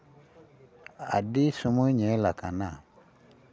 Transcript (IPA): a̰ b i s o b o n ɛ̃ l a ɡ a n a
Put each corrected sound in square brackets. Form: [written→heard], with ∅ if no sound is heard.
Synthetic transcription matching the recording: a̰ [b→d] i s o [b→m] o [n→ɲ] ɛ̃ l a [ɡ→k] a n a